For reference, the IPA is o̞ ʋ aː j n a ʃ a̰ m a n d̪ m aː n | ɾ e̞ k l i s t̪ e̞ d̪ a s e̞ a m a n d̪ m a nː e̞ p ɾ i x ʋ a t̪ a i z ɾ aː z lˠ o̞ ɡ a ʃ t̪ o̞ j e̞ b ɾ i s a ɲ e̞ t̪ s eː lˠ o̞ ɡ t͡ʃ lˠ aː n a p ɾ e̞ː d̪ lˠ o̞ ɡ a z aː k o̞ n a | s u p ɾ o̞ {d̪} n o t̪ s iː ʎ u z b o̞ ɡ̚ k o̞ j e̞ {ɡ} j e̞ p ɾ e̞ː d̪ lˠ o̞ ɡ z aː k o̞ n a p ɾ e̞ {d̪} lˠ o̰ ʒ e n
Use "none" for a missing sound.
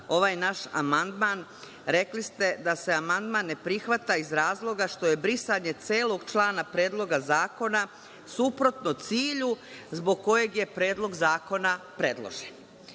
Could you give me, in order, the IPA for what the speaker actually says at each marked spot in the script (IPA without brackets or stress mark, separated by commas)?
t̪, ɡ, d̪